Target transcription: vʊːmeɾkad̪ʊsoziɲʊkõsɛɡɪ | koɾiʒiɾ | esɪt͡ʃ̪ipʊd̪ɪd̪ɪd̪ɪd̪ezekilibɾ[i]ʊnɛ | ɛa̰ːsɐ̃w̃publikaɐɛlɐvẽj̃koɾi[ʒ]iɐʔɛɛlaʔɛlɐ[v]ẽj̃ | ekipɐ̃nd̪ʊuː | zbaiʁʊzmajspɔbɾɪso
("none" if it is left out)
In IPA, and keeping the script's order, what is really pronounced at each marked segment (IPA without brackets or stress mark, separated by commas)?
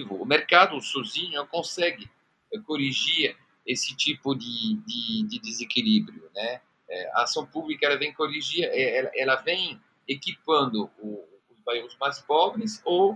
j, ʒ, v